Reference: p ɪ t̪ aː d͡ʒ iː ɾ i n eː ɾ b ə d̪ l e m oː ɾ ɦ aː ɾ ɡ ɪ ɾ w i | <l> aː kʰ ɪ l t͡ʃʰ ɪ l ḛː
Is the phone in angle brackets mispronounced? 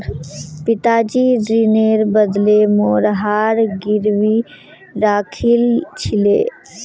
yes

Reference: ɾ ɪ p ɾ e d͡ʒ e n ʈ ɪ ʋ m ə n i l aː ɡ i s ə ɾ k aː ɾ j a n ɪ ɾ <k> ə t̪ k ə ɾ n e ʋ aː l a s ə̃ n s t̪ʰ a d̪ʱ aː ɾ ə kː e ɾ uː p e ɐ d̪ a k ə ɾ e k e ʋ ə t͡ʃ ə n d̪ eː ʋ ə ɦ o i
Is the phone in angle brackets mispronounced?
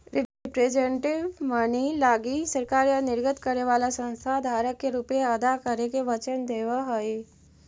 yes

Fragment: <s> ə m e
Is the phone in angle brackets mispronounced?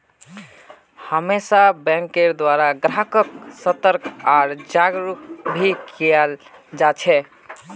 yes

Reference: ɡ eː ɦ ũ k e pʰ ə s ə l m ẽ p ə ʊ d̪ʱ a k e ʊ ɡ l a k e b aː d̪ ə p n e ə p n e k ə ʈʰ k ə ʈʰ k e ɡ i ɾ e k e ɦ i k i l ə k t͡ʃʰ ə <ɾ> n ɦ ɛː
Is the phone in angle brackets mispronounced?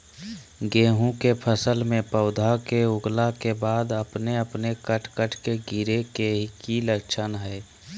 yes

